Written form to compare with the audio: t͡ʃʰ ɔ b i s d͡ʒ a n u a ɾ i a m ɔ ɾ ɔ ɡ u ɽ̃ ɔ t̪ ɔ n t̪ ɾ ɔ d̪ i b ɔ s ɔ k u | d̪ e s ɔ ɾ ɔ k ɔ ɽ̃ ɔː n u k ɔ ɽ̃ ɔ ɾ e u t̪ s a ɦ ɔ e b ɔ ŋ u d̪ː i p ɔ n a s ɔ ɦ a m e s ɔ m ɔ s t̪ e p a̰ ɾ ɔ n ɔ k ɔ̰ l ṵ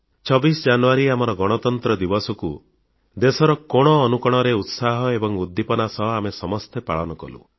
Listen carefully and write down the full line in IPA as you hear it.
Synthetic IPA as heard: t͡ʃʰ ɔ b i s d͡ʒ a n u a ɾ i a m ɔ ɾ ɔ ɡ ɔ ɽ̃ ɔ t̪ ɔ n t̪ ɾ ɔ d̪ i b ɔ s ɔ k u | d̪ e s ɔ ɾ ɔ k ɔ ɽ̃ ɔː n u k ɔ ɽ̃ ɔ ɾ e u t̪ s a ɦ ɔ e b ɔ ŋ u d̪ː i p ɔ n a s ɔ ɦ a m e s ɔ m ɔ s t̪ e p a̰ ɭ ɔ n ɔ k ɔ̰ l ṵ

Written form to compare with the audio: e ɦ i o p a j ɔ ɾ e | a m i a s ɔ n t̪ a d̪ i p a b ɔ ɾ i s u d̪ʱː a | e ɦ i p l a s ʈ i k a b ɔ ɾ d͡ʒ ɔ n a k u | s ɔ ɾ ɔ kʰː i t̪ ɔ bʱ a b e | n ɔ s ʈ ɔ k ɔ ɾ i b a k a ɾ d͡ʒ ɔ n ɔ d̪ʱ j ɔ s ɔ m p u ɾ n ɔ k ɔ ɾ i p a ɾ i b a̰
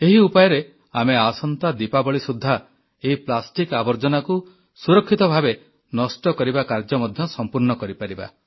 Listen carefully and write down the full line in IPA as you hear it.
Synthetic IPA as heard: e ɦ i u p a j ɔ ɾ e | a m e a s ɔ n t̪ a d̪ i p a b ɔ ɭ i s u d̪ʱː a | e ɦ i p l a s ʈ i k a b ɔ ɾ d͡ʒ ɔ n a k u | s u ɾ ɔ kʰː i t̪ ɔ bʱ a b e | n ɔ s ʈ ɔ k ɔ ɾ i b a k a ɾ d͡ʒ ɔ m ɔ d̪ʱ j ɔ s ɔ m p u ɾ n ɔ k ɔ ɾ i p a ɾ i b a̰

